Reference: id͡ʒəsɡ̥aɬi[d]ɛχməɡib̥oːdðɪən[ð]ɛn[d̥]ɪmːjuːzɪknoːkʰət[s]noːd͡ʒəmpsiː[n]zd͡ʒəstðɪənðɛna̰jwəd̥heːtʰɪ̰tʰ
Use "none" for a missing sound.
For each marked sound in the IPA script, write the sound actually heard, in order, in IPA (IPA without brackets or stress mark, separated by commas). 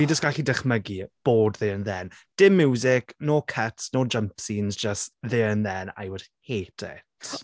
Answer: d, ð, d̥, s, n